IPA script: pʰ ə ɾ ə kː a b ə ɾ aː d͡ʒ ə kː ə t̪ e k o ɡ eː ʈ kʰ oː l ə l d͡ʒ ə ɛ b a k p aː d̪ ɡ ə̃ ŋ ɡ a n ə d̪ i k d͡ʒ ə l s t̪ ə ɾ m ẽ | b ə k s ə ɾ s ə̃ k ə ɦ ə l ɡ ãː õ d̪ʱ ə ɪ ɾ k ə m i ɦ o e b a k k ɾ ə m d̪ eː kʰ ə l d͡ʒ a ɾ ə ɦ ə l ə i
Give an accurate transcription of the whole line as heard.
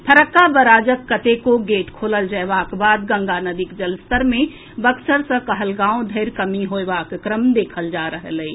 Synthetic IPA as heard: pʰ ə ɾ ə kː a b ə ɾ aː d͡ʒ ə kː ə t̪ e k o ɡ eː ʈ kʰ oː l ə l d͡ʒ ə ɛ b a k b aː d̪ ɡ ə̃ ŋ ɡ a n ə d̪ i k d͡ʒ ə l s t̪ ə ɾ m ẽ | b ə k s ə ɾ s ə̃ k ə ɦ ə l ɡ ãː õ d̪ʱ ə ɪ ɾ k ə m i ɦ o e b a k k ɾ ə m d̪ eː kʰ ə l d͡ʒ a ɾ ə ɦ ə l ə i

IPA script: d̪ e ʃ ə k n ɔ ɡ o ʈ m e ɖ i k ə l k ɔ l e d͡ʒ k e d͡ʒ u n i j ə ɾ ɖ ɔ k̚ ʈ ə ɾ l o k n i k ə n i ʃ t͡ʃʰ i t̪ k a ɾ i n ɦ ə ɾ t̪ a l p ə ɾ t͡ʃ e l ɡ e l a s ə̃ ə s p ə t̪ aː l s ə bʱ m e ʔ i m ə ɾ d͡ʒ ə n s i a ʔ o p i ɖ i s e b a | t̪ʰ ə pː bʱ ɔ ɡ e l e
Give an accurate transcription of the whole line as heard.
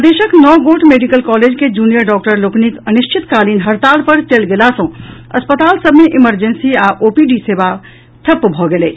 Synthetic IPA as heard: d̪ e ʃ ə k n ɔ ɡ o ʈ m e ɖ i k ə l k ɔ l e d͡ʒ k e d͡ʒ u n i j ə ɾ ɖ ɔ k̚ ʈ ə ɾ l o k n i k ə n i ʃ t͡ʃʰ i t̪ k a l i n ɦ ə ɾ t̪ a l p ə ɾ t͡ʃ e l ɡ e l a s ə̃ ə s p ə t̪ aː l s ə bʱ m e ʔ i m ə ɾ d͡ʒ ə n s i a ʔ o p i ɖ i s e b a | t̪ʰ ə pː bʱ ɔ ɡ e l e

